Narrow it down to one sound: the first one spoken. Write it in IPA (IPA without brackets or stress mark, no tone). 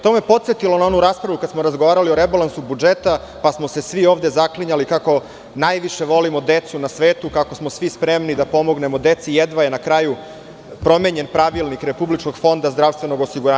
t̪